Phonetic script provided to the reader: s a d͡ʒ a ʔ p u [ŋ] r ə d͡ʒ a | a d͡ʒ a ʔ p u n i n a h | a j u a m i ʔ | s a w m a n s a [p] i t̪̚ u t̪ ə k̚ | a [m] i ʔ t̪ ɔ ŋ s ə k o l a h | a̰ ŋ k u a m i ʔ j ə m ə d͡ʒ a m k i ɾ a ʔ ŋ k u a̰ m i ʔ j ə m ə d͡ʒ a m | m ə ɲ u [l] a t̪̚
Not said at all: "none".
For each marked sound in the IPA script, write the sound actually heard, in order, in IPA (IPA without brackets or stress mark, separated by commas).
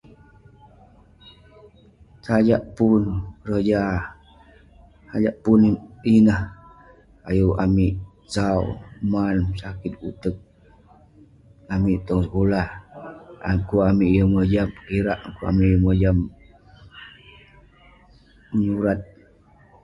n, k, m, ɾ